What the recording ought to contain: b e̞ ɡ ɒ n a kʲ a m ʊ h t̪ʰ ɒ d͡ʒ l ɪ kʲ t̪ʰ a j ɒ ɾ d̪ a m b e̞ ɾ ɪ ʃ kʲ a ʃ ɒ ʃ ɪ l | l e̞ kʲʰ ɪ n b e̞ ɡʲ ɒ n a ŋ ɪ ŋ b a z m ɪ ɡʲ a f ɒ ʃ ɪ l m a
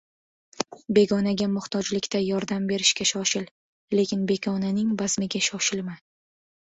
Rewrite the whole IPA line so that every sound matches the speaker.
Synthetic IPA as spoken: b e̞ ɡ ɒ n a ɡʲ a m ʊ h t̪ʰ ɒ d͡ʒ l ɪ kʲ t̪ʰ a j ɒ ɾ d̪ a m b e̞ ɾ ɪ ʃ kʲ a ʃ ɒ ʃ ɪ l | l e̞ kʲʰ ɪ n b e̞ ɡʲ ɒ n a n ɪ ŋ b a z m ɪ ɡʲ a ʃ ɒ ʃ ɪ l m a